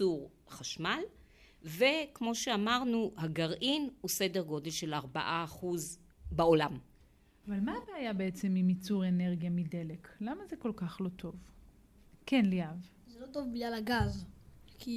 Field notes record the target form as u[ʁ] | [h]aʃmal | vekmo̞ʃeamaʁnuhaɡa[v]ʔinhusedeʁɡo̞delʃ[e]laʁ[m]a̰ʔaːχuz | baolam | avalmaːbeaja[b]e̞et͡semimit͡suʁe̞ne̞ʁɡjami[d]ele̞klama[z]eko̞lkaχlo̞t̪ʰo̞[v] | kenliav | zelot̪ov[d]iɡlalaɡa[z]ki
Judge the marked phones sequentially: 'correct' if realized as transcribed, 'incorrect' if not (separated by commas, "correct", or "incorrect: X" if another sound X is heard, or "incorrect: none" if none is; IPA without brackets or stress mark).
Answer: correct, incorrect: χ, incorrect: ʁ, correct, incorrect: b, correct, correct, correct, correct, incorrect: b, correct